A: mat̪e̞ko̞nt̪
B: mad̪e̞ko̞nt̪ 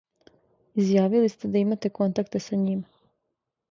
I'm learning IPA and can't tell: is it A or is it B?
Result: A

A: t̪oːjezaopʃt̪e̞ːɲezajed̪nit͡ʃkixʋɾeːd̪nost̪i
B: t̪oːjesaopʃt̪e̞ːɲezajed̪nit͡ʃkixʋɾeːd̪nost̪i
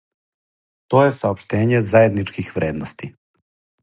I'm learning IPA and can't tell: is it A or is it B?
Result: B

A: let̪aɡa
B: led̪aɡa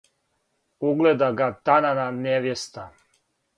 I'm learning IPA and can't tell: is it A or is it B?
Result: B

